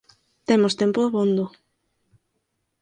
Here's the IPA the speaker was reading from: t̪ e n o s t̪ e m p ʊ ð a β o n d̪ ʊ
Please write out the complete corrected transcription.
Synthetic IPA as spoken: t̪ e m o s t̪ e m p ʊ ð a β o n d̪ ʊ

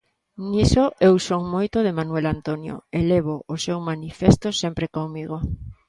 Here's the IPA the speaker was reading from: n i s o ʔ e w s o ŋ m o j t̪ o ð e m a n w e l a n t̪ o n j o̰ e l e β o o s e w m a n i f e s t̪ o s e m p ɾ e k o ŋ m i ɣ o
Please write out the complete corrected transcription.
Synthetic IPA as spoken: n i s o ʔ e w s o ŋ m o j t̪ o ð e m a n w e l a n t̪ o n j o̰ e l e β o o s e w m a n i f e s t̪ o s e m p ɾ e k o ŋ m i ɣ o

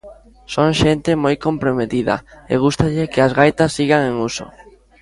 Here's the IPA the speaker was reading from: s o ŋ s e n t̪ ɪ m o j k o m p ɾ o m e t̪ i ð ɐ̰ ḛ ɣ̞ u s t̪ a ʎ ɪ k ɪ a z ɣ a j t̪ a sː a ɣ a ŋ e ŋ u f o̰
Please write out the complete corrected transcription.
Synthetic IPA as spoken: s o ŋ ʃ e n t̪ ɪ m o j k o m p ɾ o m e t̪ i ð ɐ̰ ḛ ɣ̞ u s t̪ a ʎ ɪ k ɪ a z ɣ a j t̪ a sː i ɣ a ŋ e ŋ u s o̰

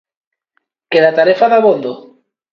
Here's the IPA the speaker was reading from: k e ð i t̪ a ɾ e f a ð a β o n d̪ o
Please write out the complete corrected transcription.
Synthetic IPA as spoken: k e ð a t̪ a ɾ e f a ð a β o n d̪ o

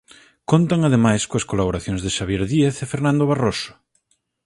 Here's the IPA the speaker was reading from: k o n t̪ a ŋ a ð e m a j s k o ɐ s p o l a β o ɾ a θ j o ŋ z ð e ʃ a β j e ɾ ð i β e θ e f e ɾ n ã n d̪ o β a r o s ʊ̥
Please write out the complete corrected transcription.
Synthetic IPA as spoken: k o n t̪ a ŋ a ð e m a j s k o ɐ s k o l a β o ɾ a θ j o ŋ z ð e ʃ a β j e ɾ ð i e θ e f e ɾ n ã n d̪ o β a r o s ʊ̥

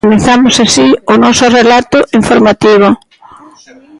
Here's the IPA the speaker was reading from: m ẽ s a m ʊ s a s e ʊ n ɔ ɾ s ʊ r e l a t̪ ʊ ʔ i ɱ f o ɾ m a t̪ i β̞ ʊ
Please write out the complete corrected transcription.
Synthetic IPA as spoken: m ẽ θ a m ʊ s a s i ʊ n ɔ s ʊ r e l a t̪ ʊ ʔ i ɱ f o ɾ m a t̪ i β̞ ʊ

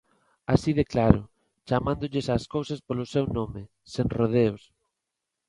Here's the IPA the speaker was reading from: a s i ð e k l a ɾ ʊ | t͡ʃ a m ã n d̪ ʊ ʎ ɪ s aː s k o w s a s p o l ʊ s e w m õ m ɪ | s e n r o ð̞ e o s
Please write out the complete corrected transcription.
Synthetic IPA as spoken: a s i ð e k l a ɾ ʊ | t͡ʃ a m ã n d̪ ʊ ʎ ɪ s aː s k o w s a s p o l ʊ s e w n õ m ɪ | s e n r o ð̞ e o s

